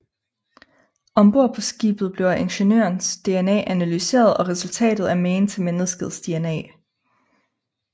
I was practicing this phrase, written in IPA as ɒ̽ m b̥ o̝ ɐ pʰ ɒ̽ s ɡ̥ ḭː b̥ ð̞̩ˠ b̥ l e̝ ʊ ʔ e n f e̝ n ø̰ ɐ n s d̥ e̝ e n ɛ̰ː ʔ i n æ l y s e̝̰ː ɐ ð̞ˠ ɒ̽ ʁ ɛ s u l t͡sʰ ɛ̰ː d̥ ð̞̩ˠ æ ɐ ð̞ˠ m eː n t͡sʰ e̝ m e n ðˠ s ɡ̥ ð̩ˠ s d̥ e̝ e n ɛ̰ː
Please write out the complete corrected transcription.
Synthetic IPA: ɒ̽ m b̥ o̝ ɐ pʰ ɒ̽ s ɡ̥ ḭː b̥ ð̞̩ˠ b̥ l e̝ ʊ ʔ e n ɕ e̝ n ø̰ ɐ n s d̥ e̝ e n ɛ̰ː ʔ æ n æ l y s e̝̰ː ɐ ð̞ˠ ɒ̽ ʁ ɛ s u l t͡sʰ ɛ̰ː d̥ ð̞̩ˠ æ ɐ m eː n t͡sʰ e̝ m e n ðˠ s ɡ̥ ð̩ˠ s d̥ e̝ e n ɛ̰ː